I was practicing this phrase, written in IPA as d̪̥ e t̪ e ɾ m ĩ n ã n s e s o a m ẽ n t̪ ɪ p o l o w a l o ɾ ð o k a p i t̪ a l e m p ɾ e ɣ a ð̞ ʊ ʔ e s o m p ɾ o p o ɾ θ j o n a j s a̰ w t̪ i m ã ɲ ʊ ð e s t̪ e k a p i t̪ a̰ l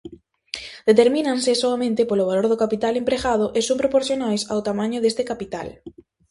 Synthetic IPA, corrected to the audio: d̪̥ e t̪ e ɾ m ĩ n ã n s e s o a m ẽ n t̪ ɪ p o l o β a l o ɾ ð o k a p i t̪ a l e m p ɾ e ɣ a ð̞ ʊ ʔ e s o m p ɾ o p o ɾ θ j o n a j s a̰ w t̪ a m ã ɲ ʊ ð e s t̪ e k a p i t̪ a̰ l